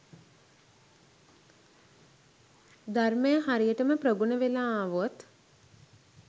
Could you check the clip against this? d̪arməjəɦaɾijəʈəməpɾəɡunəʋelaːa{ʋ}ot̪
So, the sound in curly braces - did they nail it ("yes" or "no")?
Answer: yes